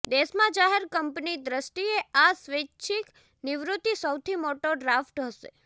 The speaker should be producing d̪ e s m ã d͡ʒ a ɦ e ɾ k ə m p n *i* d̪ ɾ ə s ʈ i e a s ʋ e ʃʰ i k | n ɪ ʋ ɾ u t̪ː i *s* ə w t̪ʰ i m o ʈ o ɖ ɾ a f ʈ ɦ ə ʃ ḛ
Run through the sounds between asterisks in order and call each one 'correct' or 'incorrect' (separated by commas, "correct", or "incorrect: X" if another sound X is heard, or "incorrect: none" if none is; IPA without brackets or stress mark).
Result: correct, correct